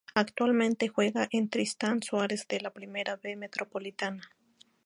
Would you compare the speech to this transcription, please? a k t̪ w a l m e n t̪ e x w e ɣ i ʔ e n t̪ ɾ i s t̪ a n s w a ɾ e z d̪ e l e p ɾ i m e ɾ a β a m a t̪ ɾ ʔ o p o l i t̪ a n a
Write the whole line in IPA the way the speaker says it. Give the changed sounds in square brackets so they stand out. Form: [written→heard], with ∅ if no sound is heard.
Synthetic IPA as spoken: a k t̪ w a l m e n t̪ e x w e ɣ [i→a] ʔ e n t̪ ɾ i s t̪ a n s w a ɾ e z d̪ e l [e→a] p ɾ i m e ɾ a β [a→e] m [a→e] t̪ ɾ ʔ o p o l i t̪ a n a